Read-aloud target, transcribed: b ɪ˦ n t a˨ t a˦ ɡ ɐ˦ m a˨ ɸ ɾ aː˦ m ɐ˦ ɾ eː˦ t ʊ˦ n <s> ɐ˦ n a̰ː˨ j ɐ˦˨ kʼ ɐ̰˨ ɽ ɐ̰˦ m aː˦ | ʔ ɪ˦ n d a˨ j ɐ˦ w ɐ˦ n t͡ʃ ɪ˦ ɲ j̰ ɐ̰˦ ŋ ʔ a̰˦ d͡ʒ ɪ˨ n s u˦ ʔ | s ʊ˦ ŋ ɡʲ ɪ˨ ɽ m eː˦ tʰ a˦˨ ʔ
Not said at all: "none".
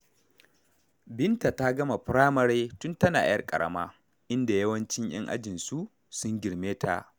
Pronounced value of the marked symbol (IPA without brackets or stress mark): t